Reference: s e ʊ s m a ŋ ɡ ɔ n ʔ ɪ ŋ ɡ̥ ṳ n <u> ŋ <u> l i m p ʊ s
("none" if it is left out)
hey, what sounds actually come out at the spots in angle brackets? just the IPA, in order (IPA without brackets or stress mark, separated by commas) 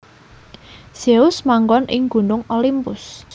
ʊ, o